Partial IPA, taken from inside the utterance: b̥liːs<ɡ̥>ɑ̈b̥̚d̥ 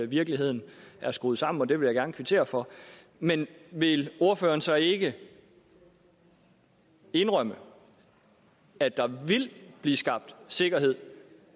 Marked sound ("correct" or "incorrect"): correct